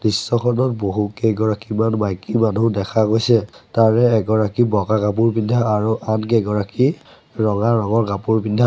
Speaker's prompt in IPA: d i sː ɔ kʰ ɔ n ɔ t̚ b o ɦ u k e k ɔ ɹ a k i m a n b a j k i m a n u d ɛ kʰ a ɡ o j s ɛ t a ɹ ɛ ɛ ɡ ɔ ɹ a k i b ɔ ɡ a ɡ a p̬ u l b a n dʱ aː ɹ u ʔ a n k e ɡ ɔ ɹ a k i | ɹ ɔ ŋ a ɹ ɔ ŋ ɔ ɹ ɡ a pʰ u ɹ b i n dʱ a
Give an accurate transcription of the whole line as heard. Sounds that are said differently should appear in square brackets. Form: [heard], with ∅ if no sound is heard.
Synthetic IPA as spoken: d i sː ɔ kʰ ɔ n ɔ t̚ b o ɦ u k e [ɡ] ɔ ɹ a k i m a n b a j k i m a n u d ɛ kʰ a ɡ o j s ɛ t a ɹ ɛ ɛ ɡ ɔ ɹ a k i b ɔ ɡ a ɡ a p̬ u [ɹ] b [i] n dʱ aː ɹ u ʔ a n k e ɡ ɔ ɹ a k i | ɹ ɔ ŋ a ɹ ɔ ŋ ɔ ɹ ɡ a [p] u ɹ b i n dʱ a